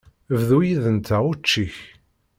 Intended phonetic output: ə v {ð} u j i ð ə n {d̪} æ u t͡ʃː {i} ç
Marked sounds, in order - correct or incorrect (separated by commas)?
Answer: correct, incorrect, correct